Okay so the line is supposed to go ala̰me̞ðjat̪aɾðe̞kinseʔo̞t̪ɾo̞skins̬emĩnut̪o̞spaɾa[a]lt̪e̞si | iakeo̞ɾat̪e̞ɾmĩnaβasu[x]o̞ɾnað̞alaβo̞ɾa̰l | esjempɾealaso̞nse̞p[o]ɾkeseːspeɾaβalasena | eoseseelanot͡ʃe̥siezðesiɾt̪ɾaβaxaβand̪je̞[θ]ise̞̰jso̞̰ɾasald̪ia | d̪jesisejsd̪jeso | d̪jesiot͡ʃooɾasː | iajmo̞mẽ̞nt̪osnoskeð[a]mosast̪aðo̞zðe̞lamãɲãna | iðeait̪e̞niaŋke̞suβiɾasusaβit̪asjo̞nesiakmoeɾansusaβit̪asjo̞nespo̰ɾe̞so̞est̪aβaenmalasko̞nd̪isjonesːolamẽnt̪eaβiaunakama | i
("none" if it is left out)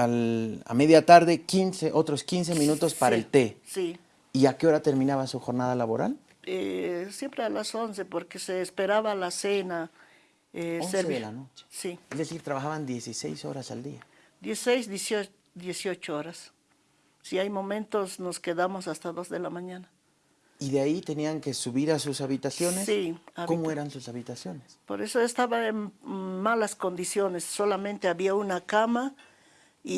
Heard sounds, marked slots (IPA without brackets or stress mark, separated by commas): e, x, o, s, a